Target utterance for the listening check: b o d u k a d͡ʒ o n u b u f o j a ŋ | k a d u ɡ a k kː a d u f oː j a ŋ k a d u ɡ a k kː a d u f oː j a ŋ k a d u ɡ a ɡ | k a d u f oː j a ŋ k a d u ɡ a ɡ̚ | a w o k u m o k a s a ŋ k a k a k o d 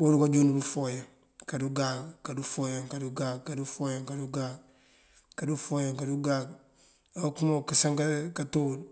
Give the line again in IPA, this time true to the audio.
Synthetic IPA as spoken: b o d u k a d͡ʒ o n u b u f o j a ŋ | k a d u ɡ a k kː a d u f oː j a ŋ k a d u ɡ a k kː a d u f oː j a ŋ k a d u ɡ a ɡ | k a d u f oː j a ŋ k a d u ɡ a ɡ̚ | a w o k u m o k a s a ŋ k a k a t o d